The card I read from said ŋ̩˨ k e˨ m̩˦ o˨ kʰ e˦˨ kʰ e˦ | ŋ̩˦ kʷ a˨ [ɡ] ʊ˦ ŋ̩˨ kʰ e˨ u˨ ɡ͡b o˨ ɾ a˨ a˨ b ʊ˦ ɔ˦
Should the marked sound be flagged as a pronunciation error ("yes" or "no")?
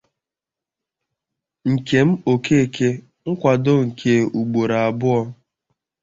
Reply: yes